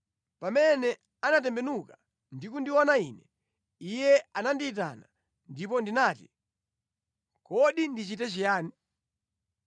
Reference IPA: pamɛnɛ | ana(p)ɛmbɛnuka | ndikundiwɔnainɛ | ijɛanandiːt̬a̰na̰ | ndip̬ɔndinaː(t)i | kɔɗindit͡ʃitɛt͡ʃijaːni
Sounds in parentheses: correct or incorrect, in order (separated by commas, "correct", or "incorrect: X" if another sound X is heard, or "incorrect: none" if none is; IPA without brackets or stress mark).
incorrect: t, correct